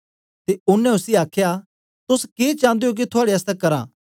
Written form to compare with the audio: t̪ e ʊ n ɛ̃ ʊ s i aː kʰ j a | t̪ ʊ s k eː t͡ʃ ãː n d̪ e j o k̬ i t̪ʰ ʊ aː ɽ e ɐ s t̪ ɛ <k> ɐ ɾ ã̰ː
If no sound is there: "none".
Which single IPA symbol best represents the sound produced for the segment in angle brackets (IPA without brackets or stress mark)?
k